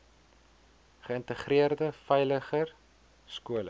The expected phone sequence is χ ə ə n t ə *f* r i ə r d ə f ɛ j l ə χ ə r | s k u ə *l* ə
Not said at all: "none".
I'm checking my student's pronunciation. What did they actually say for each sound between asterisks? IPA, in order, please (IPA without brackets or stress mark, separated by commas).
χ, l